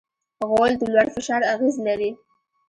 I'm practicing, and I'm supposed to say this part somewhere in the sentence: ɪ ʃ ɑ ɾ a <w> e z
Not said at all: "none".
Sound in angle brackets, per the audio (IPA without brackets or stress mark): ɣ